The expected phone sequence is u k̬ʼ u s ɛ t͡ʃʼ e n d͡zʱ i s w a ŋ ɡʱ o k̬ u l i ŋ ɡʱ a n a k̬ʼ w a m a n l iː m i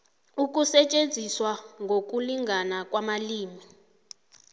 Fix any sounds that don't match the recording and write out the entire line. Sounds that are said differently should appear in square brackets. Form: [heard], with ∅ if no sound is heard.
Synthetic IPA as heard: u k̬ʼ u s ɛ t͡ʃʼ e n d͡zʱ i s w a ŋ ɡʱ o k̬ u l i ŋ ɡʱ a n a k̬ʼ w a m a [∅] l iː m i